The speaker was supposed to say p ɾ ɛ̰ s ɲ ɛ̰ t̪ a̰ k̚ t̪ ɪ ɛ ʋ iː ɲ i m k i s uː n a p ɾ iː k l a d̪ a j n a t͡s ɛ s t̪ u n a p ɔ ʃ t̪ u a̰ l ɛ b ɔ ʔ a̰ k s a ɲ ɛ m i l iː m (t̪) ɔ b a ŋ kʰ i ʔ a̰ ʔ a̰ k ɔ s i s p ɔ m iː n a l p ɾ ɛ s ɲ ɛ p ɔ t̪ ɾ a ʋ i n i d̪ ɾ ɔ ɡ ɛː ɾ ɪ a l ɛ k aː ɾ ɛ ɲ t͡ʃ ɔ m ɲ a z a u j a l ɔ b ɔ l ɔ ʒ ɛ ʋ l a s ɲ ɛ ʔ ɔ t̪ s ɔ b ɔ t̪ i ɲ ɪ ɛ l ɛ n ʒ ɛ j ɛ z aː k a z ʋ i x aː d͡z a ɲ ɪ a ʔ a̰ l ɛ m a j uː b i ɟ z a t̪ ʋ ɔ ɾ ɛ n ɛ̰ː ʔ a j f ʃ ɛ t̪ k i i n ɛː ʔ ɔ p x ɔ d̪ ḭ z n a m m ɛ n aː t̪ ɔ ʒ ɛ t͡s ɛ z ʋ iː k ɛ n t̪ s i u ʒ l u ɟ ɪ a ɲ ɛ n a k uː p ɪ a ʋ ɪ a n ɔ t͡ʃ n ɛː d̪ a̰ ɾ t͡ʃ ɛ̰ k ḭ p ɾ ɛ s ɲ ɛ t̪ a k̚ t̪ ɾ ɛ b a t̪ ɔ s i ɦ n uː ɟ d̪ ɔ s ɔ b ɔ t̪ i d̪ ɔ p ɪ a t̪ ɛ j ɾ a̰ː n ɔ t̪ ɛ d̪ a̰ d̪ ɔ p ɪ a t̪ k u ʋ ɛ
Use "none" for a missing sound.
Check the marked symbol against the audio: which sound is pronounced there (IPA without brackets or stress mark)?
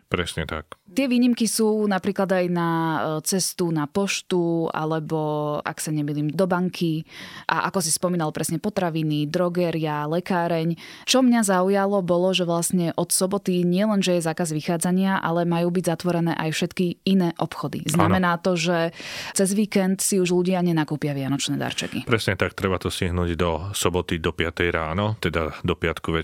d̪